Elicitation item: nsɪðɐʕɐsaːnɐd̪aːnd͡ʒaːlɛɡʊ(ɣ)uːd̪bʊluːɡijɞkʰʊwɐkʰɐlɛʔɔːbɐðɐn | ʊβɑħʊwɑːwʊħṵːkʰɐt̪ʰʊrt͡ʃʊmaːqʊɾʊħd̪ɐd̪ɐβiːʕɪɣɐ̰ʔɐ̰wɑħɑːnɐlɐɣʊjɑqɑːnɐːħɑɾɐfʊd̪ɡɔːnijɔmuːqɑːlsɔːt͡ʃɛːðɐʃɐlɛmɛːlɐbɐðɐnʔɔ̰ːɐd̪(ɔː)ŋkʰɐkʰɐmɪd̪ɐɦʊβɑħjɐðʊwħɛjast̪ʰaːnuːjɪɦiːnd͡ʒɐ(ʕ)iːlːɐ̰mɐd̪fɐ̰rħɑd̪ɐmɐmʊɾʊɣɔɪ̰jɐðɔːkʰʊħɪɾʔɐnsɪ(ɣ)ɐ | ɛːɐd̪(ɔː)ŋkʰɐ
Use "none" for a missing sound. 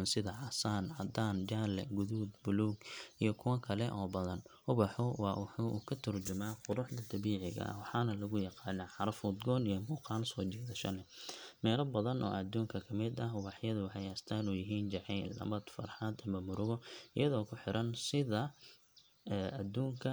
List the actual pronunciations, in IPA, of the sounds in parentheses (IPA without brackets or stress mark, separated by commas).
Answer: ð, uː, ʕ, ð, uː